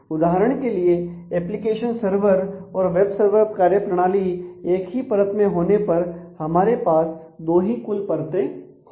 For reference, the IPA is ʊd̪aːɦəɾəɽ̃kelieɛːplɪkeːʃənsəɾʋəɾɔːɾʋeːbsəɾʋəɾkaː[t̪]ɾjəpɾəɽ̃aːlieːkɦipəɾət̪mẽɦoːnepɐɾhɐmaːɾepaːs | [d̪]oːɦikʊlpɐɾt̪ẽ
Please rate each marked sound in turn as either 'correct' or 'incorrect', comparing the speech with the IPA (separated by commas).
incorrect, correct